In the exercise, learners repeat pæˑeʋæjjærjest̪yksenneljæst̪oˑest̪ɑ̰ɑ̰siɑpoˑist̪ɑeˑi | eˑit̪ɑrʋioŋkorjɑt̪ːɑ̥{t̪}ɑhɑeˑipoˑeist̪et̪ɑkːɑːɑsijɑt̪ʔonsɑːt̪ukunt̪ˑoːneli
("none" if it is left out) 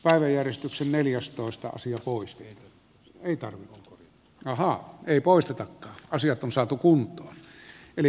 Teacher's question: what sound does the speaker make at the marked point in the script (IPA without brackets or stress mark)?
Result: none